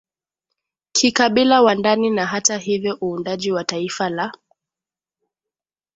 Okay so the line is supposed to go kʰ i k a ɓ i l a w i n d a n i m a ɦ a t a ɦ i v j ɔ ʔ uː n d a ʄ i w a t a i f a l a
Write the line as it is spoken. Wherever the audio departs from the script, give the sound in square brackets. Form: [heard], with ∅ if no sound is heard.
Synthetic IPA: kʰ i k a ɓ i l a w [a] n d a n i [n] a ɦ a t a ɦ i v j ɔ ʔ uː n d a ʄ i w a t a i f a l a